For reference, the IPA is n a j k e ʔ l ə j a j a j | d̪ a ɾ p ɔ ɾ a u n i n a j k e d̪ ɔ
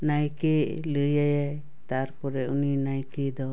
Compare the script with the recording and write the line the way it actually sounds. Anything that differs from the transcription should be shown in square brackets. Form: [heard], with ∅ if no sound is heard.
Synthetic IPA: n a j k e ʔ l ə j a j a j | [t̪] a ɾ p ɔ ɾ [ɛ] u n i n a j k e d̪ ɔ